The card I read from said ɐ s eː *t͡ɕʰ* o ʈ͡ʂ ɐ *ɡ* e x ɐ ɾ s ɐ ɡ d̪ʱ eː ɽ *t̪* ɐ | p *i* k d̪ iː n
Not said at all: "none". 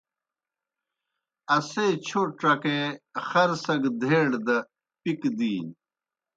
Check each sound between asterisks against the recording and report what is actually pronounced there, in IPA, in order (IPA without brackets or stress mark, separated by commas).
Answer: t͡ɕʰ, k, d̪, i